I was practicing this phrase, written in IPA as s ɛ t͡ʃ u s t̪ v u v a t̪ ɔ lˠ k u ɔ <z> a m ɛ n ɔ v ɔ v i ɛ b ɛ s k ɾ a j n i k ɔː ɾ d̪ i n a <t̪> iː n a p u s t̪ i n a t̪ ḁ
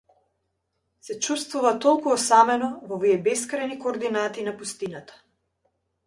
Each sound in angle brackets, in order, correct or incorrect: incorrect, correct

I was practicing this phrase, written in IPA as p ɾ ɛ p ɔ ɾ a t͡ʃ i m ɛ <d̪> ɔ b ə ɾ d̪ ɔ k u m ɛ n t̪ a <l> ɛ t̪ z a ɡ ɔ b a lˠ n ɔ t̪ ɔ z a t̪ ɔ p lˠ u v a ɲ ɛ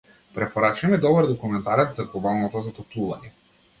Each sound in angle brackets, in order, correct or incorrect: correct, incorrect

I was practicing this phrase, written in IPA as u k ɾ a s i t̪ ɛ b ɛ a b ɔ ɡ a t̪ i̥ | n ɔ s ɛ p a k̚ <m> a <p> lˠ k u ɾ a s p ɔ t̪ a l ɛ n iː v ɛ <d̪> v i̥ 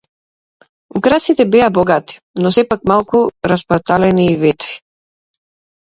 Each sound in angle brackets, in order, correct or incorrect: correct, incorrect, incorrect

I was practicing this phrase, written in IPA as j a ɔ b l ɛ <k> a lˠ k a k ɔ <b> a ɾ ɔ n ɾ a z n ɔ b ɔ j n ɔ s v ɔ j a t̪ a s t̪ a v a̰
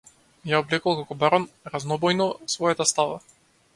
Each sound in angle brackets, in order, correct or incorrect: correct, correct

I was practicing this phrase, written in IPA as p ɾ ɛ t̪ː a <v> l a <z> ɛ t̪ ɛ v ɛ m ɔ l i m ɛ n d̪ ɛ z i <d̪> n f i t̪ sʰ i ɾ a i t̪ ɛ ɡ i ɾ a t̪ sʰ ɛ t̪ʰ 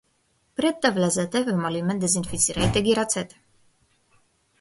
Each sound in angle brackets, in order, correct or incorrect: correct, correct, incorrect

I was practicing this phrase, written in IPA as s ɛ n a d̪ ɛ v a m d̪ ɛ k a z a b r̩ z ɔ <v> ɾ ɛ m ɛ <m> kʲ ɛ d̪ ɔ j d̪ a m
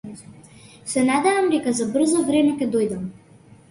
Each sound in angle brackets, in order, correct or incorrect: correct, incorrect

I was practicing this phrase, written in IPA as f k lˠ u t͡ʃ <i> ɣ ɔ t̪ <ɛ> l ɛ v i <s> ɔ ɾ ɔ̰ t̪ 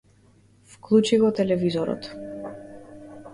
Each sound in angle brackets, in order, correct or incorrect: correct, correct, incorrect

